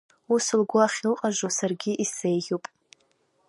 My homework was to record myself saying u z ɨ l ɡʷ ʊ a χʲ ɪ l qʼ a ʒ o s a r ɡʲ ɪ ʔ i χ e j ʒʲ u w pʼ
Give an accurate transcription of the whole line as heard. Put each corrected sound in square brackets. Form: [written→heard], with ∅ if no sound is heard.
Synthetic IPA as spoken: u [z→s] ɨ l ɡʷ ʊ a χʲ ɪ l qʼ a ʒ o s a r ɡʲ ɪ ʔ i [χ→s] e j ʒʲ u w pʼ